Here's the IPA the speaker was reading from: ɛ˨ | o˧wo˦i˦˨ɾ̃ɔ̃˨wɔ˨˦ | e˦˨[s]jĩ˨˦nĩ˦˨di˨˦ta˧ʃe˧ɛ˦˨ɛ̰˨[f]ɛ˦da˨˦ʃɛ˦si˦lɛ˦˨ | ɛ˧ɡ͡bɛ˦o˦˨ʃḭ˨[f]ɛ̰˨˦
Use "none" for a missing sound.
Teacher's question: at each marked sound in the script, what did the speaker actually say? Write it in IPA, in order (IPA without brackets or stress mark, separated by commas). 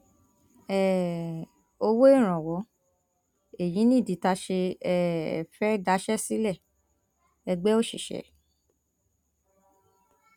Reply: none, f, ʃ